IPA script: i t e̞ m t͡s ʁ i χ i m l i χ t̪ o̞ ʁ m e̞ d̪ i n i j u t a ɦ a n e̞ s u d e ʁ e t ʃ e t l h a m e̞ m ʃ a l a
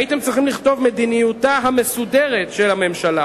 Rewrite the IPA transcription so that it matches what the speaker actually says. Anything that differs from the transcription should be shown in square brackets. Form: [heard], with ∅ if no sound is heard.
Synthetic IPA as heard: i t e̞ m t͡s ʁ i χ i m l i χ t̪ o̞ [v] m e̞ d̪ i n i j u t a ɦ a [m] e̞ s u d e ʁ e t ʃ e [∅] l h a m e̞ m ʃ a l a